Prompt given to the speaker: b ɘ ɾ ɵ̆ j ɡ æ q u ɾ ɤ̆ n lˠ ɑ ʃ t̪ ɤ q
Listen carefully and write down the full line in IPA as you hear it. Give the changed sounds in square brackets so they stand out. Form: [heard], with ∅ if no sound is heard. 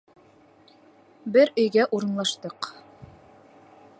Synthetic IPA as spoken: b ɘ ɾ ɵ̆ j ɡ æ [ʔ] u ɾ ɤ̆ n lˠ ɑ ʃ t̪ ɤ q